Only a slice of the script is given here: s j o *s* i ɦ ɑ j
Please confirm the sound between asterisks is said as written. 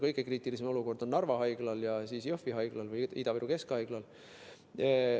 no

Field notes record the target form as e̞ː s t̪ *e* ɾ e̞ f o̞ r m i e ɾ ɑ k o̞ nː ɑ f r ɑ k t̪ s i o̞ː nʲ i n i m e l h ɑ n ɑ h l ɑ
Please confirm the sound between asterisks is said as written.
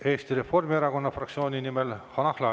no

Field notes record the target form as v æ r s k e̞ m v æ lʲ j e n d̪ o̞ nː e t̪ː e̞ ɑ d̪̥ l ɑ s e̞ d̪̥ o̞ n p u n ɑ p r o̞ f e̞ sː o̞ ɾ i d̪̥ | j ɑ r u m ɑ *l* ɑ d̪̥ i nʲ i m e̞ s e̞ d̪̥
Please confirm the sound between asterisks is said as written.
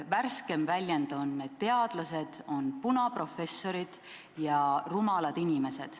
yes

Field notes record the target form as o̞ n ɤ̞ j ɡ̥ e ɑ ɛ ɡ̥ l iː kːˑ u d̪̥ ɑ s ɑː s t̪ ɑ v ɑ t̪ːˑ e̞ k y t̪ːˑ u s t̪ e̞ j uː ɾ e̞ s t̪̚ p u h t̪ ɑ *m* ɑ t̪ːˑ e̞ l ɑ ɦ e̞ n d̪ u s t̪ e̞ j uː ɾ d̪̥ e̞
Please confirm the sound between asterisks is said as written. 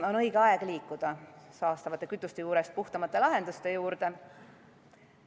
yes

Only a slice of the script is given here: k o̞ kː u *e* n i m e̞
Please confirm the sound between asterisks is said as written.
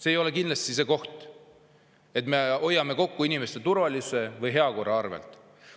no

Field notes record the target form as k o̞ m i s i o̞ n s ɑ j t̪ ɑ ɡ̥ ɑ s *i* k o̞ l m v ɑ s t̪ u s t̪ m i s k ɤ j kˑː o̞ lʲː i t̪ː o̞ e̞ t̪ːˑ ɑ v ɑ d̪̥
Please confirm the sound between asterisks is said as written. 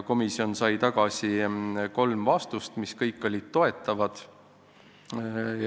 yes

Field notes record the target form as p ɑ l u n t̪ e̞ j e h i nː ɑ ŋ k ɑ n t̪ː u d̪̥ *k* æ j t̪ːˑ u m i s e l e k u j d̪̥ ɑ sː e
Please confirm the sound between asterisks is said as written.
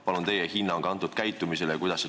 yes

